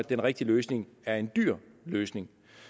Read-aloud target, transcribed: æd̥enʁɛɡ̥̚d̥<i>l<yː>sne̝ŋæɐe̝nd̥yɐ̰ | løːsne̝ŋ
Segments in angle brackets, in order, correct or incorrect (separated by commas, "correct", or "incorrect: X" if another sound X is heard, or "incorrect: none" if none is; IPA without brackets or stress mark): correct, incorrect: øː